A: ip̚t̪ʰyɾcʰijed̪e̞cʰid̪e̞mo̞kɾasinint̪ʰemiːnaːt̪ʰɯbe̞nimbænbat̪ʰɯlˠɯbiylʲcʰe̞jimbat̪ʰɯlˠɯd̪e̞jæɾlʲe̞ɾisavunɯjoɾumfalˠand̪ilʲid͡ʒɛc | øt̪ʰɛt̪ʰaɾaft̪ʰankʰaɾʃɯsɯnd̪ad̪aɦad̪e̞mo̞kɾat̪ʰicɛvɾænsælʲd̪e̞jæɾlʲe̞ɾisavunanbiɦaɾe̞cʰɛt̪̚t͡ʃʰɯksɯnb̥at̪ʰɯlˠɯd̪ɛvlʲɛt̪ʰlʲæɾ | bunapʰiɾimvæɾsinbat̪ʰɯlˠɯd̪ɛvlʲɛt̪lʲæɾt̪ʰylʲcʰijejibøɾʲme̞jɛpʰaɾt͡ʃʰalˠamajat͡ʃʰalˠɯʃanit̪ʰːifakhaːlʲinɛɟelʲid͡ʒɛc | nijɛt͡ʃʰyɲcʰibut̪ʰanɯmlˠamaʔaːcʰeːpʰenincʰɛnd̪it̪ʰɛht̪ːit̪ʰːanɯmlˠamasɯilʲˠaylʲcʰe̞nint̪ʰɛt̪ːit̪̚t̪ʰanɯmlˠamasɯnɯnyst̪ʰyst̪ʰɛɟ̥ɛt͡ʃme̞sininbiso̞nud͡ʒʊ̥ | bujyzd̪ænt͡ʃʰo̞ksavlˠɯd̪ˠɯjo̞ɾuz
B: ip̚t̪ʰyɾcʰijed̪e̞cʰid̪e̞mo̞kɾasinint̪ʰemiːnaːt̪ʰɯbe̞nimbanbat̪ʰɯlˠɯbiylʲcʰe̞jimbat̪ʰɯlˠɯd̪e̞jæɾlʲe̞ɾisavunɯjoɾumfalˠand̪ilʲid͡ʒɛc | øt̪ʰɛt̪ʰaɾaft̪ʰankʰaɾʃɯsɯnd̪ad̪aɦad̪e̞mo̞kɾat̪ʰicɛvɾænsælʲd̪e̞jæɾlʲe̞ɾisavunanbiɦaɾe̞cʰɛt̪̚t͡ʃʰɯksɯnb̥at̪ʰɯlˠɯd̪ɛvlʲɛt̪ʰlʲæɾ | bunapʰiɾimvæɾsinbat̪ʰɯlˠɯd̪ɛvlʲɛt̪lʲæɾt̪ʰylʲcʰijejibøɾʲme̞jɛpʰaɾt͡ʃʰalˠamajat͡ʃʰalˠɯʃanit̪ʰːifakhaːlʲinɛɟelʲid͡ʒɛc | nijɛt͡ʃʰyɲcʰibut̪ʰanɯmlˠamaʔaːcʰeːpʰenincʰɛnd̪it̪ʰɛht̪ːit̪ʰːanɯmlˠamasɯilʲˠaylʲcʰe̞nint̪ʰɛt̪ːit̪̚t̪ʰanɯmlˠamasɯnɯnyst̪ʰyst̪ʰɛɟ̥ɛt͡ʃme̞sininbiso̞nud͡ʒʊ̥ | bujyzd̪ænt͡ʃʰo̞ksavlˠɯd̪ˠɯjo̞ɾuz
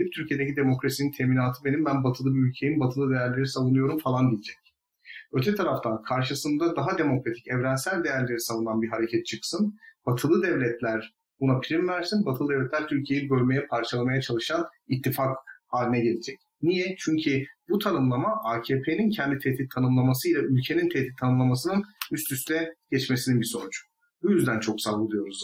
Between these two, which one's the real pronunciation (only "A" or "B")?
A